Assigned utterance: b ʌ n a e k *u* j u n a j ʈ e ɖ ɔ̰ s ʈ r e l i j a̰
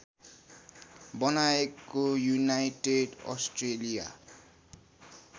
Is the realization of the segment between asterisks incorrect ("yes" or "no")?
yes